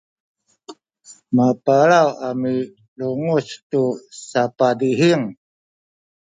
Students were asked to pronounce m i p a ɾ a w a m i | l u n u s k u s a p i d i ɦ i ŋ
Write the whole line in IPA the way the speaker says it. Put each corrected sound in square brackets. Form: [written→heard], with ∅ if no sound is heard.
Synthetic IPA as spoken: m [i→a] p a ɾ a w a m i | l u [n→ŋ] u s [k→t] u s a p [i→a] d i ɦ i ŋ